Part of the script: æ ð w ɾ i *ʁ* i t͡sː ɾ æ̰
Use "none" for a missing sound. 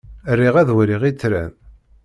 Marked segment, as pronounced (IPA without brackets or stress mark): ʁ